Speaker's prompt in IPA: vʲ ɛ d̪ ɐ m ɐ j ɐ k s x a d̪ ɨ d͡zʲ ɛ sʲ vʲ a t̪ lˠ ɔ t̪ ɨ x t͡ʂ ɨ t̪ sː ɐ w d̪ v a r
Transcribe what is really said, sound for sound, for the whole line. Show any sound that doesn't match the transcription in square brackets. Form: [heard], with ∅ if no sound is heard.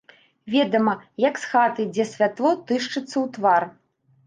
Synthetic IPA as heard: vʲ ɛ d̪ ɐ m ɐ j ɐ k s x a [t̪] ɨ d͡zʲ ɛ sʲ vʲ a t̪ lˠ ɔ t̪ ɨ [ʂ] t͡ʂ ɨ t̪ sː ɐ w [t̪] v a r